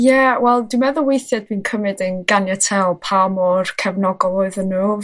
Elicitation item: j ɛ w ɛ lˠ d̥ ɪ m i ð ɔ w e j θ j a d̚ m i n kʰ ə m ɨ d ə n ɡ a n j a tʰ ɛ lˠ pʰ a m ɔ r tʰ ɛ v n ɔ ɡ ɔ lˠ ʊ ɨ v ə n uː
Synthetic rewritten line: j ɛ w ɛ lˠ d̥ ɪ m ɛ ð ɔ w e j θ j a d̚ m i n kʰ ə m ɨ d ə n ɡ a n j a tʰ ɛ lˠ pʰ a m ɔ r kʰ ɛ v n ɔ ɡ ɔ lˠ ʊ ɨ ð ə n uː